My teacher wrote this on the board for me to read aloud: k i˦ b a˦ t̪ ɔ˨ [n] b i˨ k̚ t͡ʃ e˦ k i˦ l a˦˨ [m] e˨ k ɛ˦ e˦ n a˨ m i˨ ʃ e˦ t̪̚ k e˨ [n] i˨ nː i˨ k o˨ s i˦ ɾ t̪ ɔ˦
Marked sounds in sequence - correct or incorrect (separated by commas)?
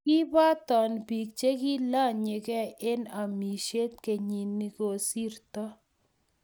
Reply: correct, incorrect, incorrect